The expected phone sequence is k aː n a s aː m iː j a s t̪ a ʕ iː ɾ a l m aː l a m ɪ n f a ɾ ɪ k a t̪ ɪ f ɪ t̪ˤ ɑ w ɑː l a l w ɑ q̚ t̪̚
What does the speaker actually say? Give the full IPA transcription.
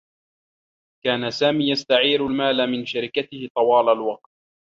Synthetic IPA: k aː n a s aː m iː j a s t̪ a ʕ iː ɾ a l m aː l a m ɪ n ʃ a ɾ ɪ k a t̪ ɪ h ɪ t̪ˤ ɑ w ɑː l a l w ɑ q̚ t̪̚

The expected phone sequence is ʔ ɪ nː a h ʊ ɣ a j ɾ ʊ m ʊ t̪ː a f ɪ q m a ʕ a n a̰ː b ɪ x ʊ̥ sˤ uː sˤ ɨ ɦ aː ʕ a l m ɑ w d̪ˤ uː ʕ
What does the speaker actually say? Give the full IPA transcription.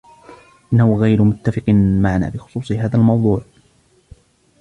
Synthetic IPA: ʔ ɪ nː a h ʊ ɣ a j ɾ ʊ m ʊ t̪ː a f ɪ q m a ʕ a n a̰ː b ɪ x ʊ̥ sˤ uː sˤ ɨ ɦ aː ð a l m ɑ w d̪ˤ uː ʕ

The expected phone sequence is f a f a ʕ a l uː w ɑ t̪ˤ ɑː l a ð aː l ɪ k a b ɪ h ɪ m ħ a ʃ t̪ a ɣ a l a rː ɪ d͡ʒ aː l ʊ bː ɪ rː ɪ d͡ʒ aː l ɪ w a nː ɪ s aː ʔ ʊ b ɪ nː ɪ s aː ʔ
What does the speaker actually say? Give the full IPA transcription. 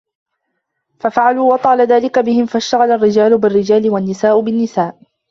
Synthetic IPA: f a f a ʕ a l uː w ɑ t̪ˤ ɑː l a ð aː l ɪ k a b ɪ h ɪ m f a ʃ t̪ a ɣ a l a rː ɪ d͡ʒ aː l ʊ b ɪ rː ɪ d͡ʒ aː l ɪ w a nː ɪ s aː ʔ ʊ b ɪ nː ɪ s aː ʔ

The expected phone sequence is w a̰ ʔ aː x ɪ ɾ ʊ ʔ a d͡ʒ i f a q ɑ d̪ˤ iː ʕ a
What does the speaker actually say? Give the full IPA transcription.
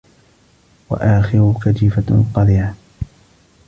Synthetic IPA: w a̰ ʔ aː x ɪ ɾ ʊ k a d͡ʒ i f a q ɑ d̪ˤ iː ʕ a

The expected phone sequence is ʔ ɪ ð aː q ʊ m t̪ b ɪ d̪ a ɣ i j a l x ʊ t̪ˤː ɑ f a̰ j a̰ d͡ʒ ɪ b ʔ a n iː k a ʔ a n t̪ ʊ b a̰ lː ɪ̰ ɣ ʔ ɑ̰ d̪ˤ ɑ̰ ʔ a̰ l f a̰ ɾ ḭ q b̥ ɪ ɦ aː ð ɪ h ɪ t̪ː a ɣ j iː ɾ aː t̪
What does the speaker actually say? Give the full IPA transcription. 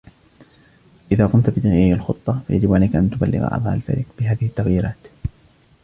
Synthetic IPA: ʔ ɪ ð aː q ʊ m t̪ b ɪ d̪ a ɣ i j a l x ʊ t̪ˤː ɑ f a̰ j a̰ d͡ʒ ɪ b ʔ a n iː k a ʔ a n t̪ ʊ b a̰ lː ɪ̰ ɣ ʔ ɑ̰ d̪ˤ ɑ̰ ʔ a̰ l f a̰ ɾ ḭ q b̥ ɪ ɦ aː ð ɪ h ɪ t̪ː a ɣ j iː ɾ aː t̪

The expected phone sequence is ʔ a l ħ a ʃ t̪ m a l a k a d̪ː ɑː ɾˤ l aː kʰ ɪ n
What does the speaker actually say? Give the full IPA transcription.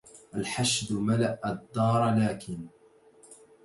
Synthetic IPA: ʔ a l ħ a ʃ d̪ m a l a ʔ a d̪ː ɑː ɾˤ l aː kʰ ɪ n

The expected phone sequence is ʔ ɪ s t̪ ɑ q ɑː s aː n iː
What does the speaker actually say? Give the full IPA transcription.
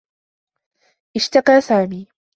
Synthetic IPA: ʔ ɪ ʃ t̪ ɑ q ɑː s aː m iː

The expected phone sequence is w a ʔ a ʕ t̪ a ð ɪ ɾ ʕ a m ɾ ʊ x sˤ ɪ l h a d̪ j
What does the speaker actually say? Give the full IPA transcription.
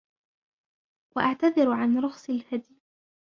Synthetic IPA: w a ʔ a ʕ t̪ a ð ɪ ɾ ʕ a n ɾ ʊ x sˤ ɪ l h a d̪ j

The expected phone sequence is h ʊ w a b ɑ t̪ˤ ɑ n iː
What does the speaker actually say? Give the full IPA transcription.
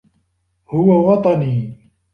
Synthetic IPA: h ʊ w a w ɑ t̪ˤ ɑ n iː

